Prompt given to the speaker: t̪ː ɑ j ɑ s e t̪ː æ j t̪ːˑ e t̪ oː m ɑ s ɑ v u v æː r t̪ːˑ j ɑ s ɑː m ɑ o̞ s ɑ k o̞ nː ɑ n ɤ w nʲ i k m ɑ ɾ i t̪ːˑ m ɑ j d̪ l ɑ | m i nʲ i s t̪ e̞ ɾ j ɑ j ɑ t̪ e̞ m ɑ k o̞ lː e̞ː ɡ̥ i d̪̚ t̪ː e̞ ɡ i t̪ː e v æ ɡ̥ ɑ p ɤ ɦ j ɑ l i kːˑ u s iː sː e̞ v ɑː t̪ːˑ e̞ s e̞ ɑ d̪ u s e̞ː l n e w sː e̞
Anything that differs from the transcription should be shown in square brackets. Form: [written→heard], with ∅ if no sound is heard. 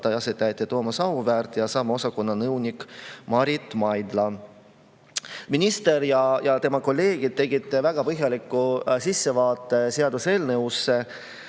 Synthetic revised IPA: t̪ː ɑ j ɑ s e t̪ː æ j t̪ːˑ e t̪ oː m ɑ s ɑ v u v æː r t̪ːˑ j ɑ s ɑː m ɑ o̞ s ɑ k o̞ nː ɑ n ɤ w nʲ i k m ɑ ɾ i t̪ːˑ m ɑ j d̪ l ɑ | m i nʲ i s t̪ e̞ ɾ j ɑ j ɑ t̪ e̞ m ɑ k o̞ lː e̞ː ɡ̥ i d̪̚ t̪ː e̞ ɡ i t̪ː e v æ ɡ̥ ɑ p ɤ ɦ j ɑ l i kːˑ u s [iː→i] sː e̞ v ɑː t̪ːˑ e̞ s e̞ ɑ d̪ u s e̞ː l n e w sː e̞